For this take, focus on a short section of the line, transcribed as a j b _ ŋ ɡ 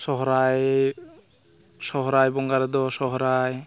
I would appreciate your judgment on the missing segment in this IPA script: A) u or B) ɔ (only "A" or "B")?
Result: B